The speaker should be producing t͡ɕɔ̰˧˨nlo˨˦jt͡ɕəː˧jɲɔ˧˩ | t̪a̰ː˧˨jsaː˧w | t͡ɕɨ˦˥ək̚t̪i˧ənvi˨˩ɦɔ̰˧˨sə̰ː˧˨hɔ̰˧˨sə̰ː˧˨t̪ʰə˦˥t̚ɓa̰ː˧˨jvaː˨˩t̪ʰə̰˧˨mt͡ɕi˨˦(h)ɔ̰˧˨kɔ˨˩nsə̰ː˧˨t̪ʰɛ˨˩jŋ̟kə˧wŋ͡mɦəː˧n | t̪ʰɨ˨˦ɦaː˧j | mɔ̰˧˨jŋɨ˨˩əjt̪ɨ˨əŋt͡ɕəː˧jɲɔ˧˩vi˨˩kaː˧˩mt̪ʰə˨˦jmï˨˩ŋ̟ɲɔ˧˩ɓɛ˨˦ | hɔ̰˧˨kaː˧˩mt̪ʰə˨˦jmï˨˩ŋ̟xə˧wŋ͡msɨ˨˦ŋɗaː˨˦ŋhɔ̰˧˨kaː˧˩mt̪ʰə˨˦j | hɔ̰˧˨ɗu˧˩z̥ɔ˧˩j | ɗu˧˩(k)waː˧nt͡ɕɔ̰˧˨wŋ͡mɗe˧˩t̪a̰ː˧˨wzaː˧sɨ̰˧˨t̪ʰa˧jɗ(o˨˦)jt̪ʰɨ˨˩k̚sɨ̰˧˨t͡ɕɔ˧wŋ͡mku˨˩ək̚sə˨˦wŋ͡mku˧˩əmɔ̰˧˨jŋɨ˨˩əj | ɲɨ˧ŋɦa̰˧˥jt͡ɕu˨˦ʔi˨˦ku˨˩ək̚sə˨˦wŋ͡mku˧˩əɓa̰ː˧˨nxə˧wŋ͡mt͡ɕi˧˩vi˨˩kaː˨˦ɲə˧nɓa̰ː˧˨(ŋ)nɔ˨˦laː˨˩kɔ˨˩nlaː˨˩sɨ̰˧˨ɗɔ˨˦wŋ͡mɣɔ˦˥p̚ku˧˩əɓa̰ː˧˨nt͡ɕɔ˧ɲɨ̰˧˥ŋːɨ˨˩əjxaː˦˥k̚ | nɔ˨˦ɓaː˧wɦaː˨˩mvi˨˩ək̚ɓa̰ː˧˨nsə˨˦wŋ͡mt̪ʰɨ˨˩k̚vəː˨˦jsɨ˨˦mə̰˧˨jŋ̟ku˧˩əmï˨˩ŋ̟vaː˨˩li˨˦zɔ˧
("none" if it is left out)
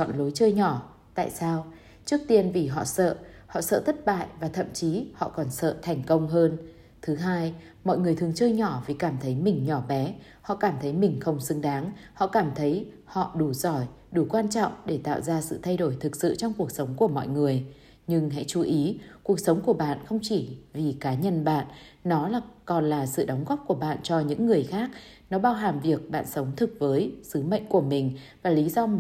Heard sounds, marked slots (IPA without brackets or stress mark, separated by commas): h, k, o˧˩, n